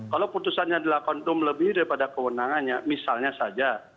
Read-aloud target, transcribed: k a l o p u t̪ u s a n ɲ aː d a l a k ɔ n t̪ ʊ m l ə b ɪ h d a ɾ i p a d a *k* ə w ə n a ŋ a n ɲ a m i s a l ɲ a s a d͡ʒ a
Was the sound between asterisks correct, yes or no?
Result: yes